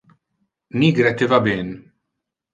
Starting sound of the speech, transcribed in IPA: n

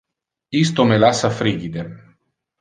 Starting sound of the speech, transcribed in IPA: i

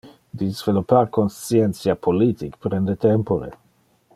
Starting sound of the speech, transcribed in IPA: d̪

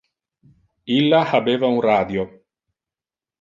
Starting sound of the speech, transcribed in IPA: i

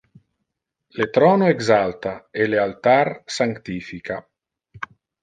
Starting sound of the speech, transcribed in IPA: l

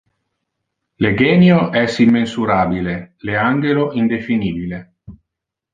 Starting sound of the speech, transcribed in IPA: l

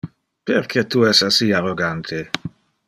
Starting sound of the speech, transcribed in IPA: p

